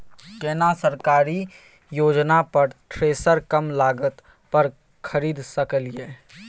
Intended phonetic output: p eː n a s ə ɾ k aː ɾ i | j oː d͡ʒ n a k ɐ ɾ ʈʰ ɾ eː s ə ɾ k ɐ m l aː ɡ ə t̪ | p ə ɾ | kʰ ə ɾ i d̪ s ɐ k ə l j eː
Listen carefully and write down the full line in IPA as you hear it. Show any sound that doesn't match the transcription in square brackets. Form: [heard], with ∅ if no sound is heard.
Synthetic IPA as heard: [k] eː n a s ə ɾ k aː ɾ i | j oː d͡ʒ n a [p] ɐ ɾ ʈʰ ɾ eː s ə ɾ k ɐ m l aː ɡ ə t̪ | p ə ɾ | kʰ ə ɾ [iː] d̪ s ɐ k ə l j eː